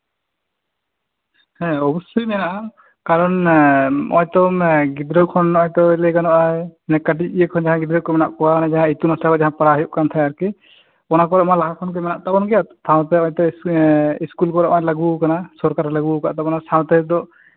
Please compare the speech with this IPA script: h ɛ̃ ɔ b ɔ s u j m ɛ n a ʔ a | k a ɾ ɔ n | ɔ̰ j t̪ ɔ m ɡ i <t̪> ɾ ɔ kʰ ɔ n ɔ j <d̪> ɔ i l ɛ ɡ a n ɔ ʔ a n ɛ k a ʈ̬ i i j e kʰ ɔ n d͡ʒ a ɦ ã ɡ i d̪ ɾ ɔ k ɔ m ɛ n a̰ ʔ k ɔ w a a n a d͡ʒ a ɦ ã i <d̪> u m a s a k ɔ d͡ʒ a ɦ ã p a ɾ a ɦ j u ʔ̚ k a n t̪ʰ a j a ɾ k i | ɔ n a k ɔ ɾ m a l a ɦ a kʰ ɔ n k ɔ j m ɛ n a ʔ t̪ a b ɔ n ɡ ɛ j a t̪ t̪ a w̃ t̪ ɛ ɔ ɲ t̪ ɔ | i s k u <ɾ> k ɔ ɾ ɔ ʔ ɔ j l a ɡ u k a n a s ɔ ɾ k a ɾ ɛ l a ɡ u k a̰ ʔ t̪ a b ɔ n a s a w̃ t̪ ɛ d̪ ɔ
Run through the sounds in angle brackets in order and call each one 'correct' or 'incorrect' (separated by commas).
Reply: incorrect, incorrect, incorrect, incorrect